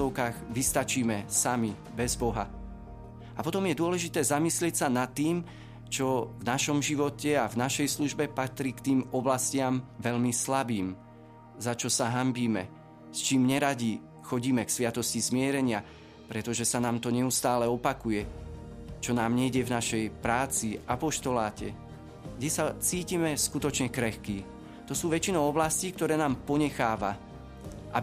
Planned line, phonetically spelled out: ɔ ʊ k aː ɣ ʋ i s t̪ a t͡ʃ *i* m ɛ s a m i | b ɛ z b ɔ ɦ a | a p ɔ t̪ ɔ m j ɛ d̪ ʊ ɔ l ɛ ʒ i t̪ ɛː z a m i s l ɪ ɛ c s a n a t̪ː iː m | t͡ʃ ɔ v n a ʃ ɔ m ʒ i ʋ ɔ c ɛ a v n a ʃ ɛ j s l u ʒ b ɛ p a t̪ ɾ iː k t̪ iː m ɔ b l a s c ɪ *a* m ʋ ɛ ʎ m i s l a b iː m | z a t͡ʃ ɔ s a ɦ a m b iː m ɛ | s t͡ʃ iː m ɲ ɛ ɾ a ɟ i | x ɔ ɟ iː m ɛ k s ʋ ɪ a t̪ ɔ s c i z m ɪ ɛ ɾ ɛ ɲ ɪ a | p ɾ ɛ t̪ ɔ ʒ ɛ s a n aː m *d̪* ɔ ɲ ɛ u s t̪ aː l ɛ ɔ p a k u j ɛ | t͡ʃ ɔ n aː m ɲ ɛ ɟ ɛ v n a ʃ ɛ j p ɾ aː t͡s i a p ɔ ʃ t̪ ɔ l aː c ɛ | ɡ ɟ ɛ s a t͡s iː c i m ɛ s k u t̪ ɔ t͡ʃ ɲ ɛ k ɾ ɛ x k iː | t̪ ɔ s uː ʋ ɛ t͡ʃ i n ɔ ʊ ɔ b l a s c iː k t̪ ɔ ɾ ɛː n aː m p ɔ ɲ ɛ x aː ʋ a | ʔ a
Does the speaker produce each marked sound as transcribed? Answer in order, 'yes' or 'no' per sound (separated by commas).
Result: no, yes, no